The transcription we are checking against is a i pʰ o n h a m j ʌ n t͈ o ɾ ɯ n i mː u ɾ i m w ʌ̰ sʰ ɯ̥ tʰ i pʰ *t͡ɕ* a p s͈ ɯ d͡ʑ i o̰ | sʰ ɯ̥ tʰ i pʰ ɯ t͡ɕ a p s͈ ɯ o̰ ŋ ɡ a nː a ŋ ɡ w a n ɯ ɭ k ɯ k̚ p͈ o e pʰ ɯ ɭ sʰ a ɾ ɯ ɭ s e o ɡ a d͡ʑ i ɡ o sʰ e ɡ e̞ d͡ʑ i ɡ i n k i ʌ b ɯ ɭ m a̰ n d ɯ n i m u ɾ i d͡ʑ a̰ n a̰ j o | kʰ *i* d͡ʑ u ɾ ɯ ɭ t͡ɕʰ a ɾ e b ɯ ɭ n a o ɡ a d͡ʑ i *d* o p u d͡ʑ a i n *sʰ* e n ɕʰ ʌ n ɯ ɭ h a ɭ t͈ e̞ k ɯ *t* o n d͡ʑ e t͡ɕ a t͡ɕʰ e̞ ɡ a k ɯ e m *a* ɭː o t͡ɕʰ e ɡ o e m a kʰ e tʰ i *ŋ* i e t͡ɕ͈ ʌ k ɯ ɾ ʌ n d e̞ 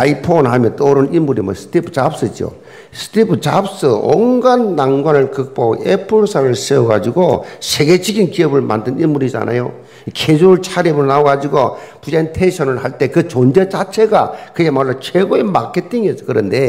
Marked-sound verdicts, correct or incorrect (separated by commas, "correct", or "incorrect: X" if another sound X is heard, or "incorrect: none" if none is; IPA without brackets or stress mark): correct, incorrect: e, incorrect: ɡ, incorrect: tʰ, incorrect: t͡ɕ, correct, correct